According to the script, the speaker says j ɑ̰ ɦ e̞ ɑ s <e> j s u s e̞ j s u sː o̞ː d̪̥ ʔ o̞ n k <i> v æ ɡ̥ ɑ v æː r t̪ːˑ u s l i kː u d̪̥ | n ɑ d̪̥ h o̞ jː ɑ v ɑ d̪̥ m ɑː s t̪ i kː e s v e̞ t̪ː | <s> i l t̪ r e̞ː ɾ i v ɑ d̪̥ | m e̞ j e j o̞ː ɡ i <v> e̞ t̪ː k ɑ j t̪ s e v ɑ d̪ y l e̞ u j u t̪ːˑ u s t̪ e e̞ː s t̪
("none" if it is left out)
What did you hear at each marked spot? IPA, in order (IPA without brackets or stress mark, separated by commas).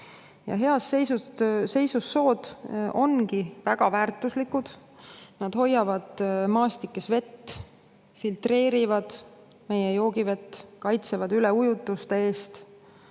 e, i, f, v